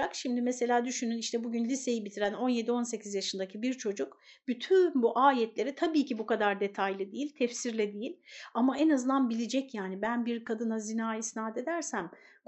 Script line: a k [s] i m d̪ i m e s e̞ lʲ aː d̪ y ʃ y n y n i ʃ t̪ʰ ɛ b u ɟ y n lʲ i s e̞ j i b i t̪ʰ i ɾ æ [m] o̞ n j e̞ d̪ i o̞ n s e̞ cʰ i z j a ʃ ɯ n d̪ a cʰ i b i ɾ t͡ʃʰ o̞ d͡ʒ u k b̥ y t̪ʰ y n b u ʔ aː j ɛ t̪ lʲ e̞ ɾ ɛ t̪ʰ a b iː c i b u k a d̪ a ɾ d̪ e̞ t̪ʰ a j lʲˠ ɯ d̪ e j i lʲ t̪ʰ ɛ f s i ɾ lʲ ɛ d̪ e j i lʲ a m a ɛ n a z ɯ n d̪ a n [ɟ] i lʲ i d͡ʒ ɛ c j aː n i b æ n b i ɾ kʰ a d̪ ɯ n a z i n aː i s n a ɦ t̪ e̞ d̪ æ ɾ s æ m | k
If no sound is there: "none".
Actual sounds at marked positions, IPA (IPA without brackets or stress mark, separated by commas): ʃ, n, b